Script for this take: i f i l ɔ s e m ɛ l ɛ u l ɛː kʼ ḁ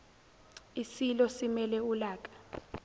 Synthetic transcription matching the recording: i s i l ɔ s i m ɛ l ɛ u l aː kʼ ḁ